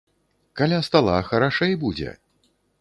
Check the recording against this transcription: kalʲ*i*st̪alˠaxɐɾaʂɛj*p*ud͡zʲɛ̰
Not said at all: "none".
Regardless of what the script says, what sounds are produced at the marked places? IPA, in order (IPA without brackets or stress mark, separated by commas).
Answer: a, b